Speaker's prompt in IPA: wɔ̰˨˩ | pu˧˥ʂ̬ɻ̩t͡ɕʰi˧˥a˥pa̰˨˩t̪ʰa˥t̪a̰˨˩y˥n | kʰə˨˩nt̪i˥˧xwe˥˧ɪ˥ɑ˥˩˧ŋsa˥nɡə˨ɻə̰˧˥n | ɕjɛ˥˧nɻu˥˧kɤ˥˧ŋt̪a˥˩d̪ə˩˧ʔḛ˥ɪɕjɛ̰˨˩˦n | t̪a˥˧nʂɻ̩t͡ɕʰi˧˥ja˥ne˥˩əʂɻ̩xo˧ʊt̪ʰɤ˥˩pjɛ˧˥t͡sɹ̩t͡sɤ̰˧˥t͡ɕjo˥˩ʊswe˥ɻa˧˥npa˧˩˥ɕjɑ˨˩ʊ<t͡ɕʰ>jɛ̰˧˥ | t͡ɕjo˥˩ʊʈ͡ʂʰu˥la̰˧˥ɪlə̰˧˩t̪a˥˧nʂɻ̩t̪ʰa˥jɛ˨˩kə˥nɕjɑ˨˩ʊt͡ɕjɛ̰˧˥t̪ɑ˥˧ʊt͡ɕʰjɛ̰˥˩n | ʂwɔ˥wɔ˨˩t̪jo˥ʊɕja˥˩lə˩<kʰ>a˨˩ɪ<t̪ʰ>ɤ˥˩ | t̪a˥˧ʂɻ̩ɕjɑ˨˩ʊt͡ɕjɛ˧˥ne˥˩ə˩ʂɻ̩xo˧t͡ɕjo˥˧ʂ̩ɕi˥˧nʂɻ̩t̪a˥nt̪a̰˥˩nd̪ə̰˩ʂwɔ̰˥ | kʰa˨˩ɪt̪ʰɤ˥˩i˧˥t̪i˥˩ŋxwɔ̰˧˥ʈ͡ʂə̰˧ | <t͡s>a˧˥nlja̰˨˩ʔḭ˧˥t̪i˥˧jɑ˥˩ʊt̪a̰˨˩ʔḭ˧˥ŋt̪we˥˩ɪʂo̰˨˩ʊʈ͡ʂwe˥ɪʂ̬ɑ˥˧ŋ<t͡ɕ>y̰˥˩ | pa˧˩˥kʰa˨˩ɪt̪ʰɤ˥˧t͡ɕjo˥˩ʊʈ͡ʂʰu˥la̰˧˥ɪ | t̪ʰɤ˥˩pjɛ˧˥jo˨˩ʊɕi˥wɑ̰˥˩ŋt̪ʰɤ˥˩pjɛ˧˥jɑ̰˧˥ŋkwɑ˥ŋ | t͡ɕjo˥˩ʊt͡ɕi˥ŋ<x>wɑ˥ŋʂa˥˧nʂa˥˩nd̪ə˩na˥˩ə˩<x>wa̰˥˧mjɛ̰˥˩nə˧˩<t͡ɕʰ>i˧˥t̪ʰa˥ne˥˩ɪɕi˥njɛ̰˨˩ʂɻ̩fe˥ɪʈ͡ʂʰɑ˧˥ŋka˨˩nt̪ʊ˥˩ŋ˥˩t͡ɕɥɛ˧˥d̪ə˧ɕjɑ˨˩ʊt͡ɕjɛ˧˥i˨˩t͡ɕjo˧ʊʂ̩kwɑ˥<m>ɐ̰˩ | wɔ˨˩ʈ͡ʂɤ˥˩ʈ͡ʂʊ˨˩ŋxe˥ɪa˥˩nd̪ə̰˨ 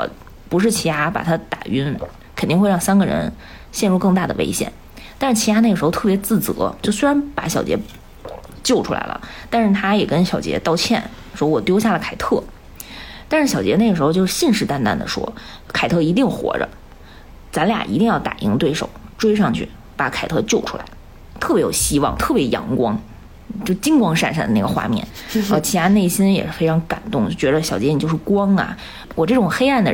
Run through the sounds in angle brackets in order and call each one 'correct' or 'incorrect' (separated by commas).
incorrect, correct, correct, correct, incorrect, incorrect, correct, correct, incorrect